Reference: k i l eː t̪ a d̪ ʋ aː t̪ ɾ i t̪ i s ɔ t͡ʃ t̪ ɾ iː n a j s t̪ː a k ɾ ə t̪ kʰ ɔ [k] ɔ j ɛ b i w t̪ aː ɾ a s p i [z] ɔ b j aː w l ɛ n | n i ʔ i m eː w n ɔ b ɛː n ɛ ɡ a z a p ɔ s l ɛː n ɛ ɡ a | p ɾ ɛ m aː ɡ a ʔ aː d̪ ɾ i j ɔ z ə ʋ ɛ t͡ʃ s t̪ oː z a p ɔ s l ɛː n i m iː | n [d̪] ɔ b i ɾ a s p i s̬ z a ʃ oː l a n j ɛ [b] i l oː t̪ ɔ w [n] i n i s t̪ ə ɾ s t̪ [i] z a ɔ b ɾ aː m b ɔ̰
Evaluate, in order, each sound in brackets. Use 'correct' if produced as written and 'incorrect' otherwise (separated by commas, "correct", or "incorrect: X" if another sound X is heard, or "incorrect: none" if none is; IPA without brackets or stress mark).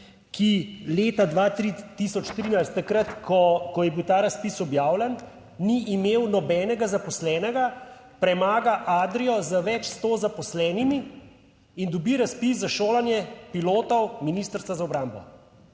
correct, incorrect: s, correct, incorrect: p, incorrect: m, incorrect: a